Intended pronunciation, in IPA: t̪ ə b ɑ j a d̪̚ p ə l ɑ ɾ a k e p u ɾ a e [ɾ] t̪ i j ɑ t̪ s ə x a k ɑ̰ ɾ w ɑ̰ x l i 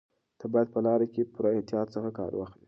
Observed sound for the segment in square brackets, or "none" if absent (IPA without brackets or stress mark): none